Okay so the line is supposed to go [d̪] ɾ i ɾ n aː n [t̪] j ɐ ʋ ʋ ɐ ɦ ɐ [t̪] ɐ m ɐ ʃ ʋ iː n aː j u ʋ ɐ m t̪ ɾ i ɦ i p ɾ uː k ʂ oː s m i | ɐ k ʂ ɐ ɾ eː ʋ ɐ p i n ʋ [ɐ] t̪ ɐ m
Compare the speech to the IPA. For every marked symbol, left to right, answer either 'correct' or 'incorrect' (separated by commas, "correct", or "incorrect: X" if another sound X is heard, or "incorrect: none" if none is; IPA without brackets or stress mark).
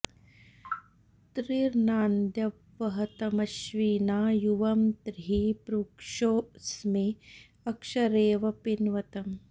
incorrect: t̪, incorrect: d̪, correct, correct